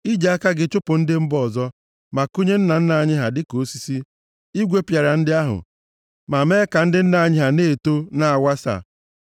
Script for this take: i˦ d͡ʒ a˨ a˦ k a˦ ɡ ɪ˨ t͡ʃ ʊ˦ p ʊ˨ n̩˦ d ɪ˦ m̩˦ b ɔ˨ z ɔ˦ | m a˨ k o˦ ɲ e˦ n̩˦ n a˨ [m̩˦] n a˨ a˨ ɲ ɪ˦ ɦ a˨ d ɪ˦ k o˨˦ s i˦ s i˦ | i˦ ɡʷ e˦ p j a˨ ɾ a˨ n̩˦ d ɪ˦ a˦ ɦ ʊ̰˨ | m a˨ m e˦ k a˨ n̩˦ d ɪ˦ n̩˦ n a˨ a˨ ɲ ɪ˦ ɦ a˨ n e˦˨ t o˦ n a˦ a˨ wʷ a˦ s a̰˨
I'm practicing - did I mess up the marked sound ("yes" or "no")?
yes